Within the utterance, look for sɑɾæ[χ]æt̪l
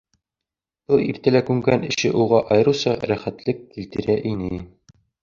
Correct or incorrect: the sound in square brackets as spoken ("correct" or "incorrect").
correct